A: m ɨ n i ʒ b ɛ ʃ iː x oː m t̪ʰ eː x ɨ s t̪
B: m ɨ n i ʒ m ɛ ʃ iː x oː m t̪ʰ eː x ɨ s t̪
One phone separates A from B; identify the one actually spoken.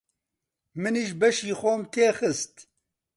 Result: A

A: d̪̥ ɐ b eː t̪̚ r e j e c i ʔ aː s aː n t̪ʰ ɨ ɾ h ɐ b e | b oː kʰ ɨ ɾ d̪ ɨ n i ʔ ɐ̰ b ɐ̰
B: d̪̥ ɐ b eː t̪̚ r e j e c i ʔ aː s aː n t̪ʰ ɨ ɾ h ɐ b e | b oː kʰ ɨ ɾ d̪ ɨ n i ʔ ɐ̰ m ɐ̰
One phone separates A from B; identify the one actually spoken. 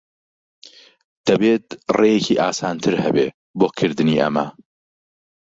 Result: B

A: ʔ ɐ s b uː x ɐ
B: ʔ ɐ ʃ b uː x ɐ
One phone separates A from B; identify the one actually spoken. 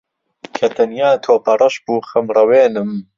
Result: B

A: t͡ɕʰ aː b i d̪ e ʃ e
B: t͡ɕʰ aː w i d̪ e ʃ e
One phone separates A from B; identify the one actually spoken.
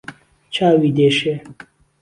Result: B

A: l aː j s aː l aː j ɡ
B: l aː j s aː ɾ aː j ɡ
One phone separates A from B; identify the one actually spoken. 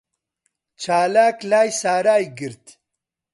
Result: B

